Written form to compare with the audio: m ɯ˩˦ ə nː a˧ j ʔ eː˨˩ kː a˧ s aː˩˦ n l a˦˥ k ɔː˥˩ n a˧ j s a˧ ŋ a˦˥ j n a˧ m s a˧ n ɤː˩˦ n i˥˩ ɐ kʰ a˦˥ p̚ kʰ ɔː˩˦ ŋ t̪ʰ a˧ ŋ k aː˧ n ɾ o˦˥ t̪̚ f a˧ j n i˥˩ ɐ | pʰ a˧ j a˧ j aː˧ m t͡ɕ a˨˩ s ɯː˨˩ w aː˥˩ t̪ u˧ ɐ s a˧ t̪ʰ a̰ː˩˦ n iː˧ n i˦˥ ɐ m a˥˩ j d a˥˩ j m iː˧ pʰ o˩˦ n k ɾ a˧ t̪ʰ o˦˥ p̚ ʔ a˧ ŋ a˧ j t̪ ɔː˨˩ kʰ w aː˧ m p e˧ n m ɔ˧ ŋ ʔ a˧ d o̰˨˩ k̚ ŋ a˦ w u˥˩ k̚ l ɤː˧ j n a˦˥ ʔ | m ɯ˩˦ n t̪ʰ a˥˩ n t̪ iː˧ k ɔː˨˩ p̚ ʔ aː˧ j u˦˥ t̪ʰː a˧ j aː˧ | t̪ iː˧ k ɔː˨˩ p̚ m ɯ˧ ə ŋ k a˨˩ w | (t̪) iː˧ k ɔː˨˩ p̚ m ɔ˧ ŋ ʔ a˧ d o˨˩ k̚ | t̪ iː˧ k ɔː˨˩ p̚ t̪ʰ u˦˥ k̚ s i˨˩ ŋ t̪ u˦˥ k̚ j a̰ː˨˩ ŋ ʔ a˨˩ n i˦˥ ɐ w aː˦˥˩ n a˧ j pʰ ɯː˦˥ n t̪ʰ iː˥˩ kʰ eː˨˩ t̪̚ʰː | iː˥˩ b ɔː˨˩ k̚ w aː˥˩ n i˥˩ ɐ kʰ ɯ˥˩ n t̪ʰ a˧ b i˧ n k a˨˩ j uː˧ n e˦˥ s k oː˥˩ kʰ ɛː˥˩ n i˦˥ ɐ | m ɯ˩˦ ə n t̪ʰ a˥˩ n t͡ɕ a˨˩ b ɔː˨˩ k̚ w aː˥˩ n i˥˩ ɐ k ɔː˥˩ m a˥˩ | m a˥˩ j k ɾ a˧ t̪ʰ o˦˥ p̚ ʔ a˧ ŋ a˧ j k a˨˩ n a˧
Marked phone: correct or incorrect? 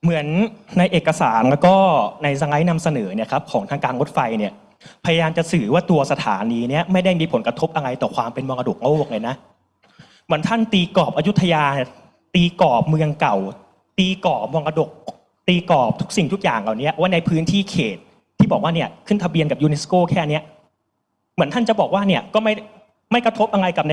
correct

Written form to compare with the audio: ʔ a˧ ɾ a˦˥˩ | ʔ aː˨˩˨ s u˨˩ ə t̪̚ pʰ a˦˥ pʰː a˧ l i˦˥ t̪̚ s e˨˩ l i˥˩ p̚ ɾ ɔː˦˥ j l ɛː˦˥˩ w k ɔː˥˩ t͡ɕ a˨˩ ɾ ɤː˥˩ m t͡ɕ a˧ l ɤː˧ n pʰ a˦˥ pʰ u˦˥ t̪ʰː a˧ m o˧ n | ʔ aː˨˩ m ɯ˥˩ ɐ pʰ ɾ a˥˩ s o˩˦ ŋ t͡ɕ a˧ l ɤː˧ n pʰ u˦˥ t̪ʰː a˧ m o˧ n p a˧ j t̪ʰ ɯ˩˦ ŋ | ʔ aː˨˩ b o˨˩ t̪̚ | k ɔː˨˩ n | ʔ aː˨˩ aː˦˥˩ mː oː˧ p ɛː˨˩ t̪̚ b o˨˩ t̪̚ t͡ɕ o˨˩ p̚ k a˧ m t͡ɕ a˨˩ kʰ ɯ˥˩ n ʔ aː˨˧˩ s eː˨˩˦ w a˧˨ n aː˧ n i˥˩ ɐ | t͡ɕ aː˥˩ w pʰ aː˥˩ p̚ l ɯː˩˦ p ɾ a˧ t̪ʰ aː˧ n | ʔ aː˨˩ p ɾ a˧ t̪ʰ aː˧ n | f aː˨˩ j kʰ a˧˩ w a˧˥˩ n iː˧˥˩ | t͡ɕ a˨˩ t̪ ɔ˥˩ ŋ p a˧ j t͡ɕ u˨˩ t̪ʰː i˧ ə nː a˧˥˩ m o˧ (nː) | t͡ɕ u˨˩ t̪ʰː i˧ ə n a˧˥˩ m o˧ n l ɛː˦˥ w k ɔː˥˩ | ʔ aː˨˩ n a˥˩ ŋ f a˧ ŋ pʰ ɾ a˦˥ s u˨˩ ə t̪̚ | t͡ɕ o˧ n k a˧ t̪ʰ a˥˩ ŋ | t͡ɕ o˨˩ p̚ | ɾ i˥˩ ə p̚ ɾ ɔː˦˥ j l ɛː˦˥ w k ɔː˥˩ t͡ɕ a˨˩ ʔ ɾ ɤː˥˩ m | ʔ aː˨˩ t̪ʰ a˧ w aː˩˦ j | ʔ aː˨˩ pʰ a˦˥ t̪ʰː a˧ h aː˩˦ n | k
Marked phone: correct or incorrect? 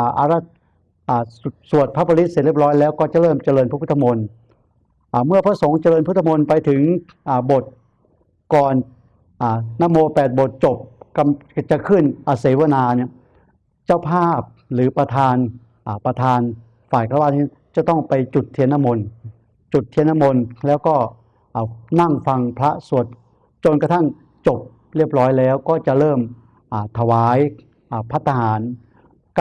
incorrect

